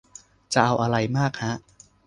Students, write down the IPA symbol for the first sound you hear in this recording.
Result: t͡ɕ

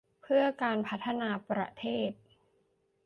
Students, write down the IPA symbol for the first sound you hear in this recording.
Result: pʰ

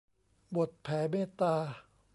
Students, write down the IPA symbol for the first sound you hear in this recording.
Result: b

